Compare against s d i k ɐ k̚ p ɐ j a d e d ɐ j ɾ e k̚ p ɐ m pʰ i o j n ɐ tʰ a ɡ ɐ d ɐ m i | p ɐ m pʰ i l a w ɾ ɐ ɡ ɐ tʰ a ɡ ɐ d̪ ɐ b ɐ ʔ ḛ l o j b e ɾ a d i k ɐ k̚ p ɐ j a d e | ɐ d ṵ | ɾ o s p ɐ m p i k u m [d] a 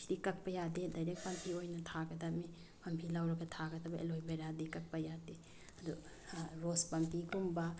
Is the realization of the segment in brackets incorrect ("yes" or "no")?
yes